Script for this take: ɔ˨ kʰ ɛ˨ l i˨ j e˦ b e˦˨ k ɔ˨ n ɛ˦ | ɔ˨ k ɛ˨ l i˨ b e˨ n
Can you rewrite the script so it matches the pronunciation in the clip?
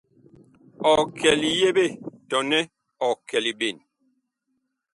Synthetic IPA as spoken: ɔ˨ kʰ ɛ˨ l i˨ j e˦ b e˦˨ t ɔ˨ n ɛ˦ | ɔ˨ k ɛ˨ l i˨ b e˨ n